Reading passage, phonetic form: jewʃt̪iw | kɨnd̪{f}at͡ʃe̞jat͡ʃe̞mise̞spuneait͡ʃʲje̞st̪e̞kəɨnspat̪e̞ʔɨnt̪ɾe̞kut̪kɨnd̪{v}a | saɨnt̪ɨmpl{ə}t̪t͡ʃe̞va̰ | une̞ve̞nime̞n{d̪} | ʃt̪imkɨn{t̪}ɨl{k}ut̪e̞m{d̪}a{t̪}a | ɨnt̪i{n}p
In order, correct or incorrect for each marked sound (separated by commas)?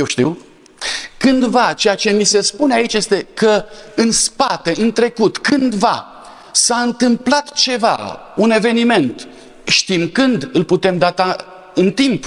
incorrect, correct, incorrect, incorrect, incorrect, incorrect, correct, correct, incorrect